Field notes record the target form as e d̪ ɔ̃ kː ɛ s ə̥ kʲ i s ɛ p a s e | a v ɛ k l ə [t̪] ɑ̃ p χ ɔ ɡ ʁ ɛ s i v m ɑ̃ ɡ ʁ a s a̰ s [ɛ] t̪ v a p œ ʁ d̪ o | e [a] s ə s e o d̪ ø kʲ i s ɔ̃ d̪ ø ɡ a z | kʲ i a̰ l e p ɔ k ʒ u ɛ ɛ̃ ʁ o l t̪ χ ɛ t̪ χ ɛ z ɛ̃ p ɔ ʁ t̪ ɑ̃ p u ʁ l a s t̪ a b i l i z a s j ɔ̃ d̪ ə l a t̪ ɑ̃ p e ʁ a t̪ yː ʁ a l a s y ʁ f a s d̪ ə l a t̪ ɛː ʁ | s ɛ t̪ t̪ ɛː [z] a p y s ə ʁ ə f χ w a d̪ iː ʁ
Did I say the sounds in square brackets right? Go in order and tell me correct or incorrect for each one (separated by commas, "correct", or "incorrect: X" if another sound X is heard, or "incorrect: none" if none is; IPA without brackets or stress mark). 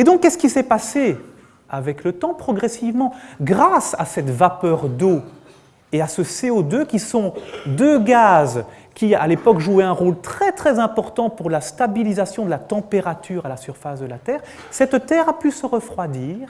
correct, correct, correct, incorrect: ʁ